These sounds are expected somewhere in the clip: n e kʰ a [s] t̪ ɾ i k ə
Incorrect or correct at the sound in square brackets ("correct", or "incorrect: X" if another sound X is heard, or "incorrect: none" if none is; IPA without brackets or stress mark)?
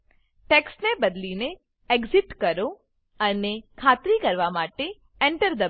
incorrect: none